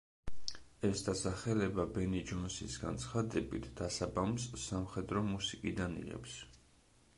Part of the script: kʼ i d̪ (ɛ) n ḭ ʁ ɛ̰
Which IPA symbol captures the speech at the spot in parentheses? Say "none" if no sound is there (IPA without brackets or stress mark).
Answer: a